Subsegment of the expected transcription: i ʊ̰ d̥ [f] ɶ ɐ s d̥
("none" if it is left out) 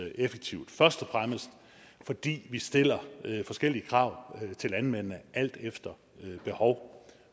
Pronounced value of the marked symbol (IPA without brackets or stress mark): f